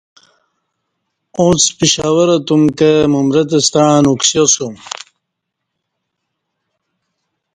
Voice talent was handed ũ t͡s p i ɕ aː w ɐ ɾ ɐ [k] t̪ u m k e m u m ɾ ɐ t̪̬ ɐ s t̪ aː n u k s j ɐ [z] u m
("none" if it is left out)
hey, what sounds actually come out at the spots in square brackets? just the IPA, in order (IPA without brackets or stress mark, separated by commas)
none, s